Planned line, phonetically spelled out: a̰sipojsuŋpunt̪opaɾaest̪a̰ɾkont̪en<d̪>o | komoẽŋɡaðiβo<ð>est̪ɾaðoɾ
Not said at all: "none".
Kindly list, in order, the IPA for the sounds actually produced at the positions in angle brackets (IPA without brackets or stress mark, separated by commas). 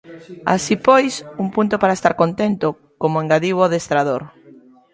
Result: t̪, ð